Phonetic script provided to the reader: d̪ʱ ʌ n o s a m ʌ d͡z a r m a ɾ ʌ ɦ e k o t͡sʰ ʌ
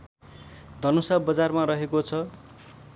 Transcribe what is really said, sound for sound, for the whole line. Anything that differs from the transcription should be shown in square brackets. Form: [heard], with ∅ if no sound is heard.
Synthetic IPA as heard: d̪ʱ ʌ n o s a [b] ʌ d͡z a r m a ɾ ʌ ɦ e k o t͡sʰ ʌ